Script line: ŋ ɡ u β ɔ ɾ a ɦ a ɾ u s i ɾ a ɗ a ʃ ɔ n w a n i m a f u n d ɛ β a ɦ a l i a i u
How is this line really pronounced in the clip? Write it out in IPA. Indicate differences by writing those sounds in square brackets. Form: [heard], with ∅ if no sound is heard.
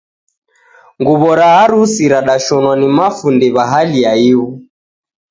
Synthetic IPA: ŋ ɡ u β ɔ ɾ a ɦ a ɾ u s i ɾ a ɗ a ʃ ɔ n w a n i m a f u n d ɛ β a ɦ a l i a i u